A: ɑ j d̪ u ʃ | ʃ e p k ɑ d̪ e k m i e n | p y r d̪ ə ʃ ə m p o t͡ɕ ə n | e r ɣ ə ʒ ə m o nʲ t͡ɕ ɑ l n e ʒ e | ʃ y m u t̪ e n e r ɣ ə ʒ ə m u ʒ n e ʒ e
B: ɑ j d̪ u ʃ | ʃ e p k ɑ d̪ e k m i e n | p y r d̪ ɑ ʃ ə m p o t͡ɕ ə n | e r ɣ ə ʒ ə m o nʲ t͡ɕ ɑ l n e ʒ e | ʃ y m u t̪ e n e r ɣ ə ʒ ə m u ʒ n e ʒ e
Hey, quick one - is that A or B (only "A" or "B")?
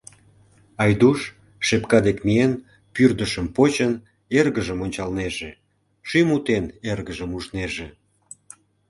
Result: A